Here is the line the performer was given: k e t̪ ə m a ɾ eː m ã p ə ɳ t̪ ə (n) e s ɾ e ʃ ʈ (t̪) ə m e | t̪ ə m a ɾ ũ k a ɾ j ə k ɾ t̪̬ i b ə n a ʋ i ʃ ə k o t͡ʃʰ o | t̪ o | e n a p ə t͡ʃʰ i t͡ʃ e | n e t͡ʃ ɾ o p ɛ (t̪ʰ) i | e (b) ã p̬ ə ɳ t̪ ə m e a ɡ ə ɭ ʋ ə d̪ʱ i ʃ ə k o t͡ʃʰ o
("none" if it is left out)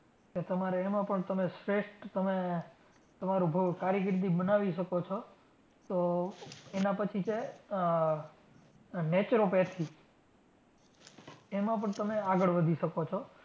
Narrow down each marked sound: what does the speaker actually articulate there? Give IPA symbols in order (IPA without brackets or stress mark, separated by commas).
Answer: m, t̪, t̪ʰ, m